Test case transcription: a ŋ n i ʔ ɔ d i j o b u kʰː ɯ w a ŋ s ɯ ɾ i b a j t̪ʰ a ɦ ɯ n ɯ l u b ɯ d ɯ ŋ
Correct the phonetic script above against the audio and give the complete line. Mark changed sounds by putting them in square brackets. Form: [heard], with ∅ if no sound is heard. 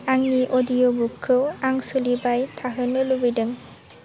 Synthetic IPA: a ŋ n i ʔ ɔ d i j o b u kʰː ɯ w a ŋ s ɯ [l] i b a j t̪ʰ a ɦ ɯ n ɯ l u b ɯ d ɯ ŋ